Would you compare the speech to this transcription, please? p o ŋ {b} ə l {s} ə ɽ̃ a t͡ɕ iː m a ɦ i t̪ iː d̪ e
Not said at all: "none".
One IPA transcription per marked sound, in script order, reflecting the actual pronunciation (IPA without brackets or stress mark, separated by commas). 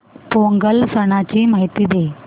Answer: ɡ, s